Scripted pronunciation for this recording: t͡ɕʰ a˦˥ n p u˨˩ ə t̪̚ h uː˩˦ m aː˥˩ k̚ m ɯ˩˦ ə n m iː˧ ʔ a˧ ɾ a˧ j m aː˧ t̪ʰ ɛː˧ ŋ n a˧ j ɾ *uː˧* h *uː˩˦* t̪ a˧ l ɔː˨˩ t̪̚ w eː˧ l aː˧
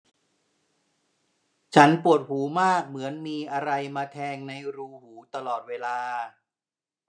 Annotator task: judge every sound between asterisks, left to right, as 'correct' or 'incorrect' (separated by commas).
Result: correct, correct